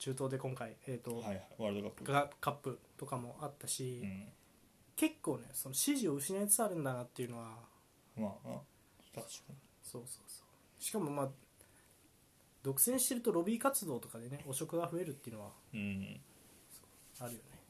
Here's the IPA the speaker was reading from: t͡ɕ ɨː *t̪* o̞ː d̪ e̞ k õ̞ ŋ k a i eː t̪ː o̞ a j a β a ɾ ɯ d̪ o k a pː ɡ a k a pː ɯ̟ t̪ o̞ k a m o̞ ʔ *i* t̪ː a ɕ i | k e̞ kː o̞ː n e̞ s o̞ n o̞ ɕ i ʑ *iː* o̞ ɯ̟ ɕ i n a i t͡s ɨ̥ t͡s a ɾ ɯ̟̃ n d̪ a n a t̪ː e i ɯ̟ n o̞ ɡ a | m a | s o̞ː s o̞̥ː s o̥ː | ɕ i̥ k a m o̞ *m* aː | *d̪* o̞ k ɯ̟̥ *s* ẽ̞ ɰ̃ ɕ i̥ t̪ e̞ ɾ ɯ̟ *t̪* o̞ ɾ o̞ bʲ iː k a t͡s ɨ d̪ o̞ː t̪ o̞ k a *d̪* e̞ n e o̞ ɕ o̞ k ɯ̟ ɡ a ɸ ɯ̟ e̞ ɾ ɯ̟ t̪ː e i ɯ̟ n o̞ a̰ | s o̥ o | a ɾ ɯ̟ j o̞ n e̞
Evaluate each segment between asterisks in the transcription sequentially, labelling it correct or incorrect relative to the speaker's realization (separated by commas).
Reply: correct, incorrect, incorrect, correct, correct, correct, correct, correct